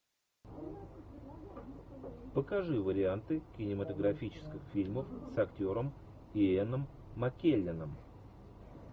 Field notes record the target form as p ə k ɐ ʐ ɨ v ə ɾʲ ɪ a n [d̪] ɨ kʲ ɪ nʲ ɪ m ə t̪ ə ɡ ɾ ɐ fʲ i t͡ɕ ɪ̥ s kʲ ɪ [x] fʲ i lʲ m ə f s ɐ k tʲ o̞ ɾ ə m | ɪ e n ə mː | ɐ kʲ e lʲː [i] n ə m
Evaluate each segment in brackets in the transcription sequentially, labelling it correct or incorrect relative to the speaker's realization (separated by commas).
incorrect, correct, incorrect